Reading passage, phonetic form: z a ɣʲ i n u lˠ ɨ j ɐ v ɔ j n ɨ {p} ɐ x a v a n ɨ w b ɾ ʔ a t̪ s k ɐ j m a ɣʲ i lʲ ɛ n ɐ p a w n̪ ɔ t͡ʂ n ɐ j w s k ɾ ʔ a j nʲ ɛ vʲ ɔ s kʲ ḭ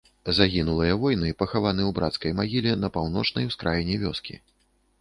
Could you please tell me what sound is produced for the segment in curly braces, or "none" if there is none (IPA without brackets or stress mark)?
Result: p